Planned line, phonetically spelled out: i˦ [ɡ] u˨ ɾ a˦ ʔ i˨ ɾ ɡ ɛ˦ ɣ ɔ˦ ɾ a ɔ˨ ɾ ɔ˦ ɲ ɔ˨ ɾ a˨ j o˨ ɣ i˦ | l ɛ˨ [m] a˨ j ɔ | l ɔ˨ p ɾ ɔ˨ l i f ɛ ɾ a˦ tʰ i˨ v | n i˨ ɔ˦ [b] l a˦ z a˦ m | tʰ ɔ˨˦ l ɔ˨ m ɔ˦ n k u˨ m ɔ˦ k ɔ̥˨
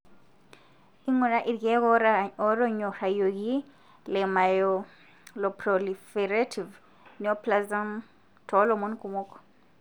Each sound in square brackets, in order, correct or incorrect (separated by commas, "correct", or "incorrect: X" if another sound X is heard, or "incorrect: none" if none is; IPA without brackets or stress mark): incorrect: ŋ, correct, incorrect: p